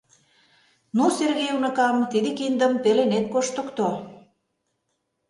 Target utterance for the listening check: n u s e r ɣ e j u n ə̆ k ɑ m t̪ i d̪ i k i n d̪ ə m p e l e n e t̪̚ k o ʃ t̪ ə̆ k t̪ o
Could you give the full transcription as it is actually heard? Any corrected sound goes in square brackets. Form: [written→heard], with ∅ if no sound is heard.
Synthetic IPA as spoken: n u s e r ɣ e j u n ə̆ k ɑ m t̪ i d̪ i k i n d̪ ə m p e l e n e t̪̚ k o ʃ t̪ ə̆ k t̪ o